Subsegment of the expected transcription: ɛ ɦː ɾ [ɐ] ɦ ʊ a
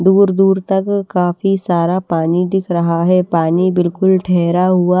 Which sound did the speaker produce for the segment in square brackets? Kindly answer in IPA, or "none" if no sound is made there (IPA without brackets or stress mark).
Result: a